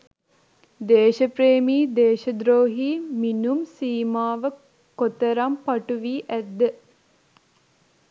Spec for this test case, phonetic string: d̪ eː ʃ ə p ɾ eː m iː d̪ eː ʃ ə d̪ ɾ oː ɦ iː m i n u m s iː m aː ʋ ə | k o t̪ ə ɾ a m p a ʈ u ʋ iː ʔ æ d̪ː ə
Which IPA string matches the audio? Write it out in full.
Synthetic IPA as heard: d̪ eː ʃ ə p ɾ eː m iː d̪ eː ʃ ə d̪ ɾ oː ɦ iː m i n u m s iː m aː ʋ ə | k o t̪ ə ɾ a m p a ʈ u ʋ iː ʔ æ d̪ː ə